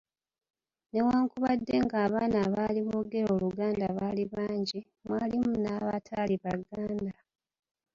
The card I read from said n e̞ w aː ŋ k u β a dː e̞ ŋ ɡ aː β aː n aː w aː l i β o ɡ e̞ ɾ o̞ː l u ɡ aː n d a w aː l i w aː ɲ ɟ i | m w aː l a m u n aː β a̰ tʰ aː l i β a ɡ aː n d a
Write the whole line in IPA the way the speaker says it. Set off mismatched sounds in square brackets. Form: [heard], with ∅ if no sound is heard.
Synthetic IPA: n e̞ w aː ŋ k u β a dː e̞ ŋ ɡ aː β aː n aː [β] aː l i β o ɡ e̞ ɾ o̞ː l u ɡ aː n d a [β] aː l i [β] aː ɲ ɟ i | m w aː l [i] m u n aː β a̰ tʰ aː l i β a ɡ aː n d a